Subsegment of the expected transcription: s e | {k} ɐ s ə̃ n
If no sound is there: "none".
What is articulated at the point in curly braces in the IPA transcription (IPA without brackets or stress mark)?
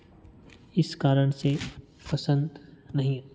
p